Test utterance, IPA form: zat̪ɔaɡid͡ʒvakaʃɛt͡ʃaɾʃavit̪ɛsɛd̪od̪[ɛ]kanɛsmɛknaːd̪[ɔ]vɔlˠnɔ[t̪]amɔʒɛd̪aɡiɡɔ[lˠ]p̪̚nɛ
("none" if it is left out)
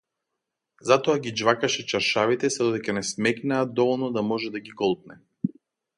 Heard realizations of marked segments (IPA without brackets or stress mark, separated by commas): ɛ, ɔ, d̪, lˠ